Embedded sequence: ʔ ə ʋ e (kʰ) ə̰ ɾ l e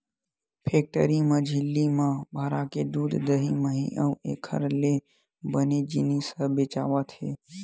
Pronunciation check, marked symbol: correct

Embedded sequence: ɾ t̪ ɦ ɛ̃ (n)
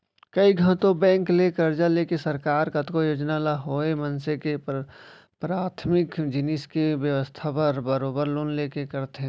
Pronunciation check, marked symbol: incorrect: none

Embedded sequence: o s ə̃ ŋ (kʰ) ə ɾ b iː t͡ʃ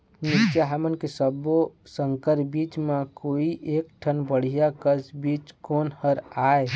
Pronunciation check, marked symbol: incorrect: k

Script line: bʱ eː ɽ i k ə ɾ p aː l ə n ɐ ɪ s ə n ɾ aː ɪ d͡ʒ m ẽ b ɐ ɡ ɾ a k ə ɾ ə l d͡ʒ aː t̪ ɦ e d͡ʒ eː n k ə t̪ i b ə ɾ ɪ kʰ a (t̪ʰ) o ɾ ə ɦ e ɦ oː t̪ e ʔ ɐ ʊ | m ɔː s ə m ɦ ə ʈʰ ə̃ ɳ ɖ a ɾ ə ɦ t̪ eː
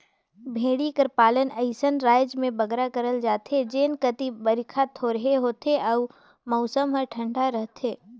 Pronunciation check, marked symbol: correct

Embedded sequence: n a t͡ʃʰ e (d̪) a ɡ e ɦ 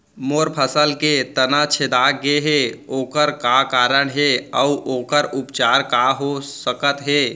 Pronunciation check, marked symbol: correct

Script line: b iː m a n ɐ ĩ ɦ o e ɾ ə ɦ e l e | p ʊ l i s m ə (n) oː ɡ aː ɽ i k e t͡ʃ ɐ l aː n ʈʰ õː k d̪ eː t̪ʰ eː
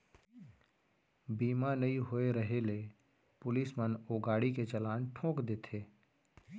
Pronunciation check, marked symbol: correct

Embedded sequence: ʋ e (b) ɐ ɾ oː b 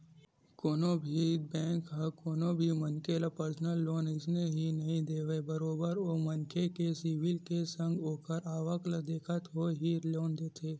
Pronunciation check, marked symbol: correct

